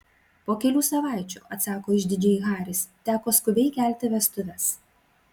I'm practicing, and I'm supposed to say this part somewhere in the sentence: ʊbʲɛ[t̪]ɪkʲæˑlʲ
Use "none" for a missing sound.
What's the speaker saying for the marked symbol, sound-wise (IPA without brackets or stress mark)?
none